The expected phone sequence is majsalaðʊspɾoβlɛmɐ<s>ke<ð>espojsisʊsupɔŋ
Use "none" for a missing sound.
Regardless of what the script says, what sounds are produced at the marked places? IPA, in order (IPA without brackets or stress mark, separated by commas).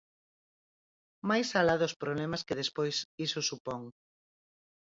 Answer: s, ð